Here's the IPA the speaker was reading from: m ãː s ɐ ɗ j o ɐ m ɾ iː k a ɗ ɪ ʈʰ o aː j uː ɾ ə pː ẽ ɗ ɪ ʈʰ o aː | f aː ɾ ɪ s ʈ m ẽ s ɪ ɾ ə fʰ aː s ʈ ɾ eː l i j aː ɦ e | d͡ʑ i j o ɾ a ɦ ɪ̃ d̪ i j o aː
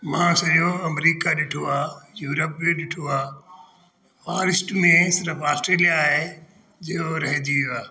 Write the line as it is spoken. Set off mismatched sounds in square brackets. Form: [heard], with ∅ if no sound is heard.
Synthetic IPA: m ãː s ɐ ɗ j o ɐ m ɾ iː k a ɗ ɪ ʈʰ o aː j uː ɾ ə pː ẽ ɗ ɪ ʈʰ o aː | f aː ɾ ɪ s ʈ m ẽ s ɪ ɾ ə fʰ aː s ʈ ɾ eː l i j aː ɦ e | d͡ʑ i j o ɾ [ɐ] ɦ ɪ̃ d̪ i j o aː